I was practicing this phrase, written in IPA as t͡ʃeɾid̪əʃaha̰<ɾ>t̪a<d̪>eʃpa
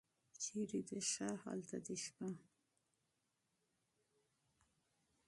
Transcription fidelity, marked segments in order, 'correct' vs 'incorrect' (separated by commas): incorrect, correct